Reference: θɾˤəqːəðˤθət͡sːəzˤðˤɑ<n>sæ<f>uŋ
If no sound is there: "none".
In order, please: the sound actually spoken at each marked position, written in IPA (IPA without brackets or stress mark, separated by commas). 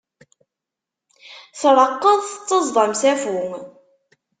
m, f